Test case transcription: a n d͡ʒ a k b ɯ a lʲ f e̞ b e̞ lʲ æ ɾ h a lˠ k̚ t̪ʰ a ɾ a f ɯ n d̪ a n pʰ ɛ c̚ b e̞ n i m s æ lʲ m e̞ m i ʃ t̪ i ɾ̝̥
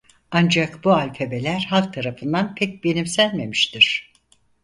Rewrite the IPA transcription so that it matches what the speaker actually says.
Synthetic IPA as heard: a n d͡ʒ a k b u a lʲ f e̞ b e̞ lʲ æ ɾ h a lˠ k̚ t̪ʰ a ɾ a f ɯ n d̪ a n pʰ ɛ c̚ b e̞ n i m s æ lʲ m e̞ m i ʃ t̪ i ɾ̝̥